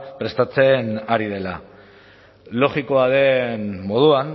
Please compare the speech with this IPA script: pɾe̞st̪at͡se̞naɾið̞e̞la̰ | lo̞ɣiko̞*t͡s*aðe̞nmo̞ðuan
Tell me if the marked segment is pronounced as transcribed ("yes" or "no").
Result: no